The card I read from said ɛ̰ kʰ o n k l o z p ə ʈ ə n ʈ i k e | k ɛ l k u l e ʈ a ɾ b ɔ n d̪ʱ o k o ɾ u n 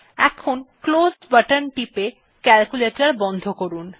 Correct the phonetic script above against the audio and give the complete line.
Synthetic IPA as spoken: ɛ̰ kʰ o n k l o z b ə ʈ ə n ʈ i p e | k ɛ l k u l e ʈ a ɾ b ɔ n d̪ʱ o k o ɾ u n